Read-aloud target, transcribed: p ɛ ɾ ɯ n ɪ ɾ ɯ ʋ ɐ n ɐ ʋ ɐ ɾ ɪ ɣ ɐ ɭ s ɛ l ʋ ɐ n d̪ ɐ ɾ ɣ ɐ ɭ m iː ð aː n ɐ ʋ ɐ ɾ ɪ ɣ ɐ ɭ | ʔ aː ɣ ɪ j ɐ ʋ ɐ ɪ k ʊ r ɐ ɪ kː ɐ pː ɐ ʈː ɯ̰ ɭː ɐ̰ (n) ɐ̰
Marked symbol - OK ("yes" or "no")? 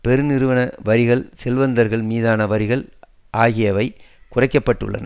yes